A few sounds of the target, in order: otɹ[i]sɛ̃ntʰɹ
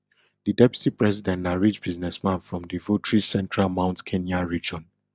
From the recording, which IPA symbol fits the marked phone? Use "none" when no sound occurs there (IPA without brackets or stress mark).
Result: i